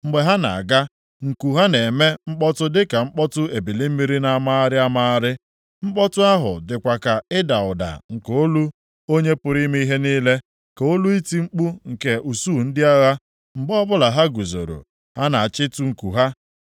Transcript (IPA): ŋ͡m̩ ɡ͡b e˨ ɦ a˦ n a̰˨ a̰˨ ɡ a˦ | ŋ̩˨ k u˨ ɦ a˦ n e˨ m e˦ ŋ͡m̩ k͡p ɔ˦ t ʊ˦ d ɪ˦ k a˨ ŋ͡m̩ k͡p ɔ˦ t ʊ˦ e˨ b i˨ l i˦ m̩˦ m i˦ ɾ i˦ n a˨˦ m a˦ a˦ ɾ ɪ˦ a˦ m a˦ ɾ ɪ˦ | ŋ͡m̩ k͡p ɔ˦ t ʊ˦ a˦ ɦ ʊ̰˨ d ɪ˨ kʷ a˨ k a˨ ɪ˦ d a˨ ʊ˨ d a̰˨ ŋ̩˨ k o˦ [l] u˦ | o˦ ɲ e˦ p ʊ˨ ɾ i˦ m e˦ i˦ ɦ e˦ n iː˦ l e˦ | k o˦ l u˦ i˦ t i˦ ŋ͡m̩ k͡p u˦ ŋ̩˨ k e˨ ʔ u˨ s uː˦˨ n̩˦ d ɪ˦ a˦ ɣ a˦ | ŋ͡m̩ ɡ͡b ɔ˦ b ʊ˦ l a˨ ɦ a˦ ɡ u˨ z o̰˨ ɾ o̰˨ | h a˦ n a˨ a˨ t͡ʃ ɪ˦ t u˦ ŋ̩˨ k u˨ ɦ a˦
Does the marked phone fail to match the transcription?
no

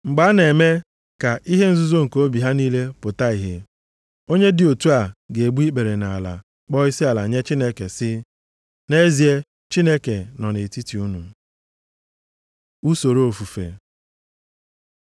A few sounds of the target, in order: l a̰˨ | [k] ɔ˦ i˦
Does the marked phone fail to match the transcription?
yes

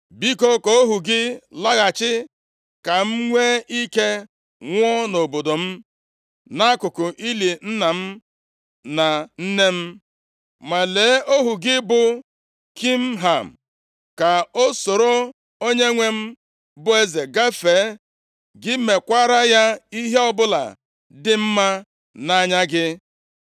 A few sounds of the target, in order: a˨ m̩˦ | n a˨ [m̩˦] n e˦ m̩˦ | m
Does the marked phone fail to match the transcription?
yes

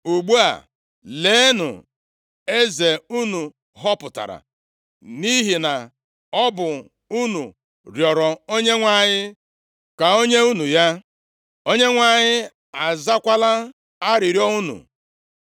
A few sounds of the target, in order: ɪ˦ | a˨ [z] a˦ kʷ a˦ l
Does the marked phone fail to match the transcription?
no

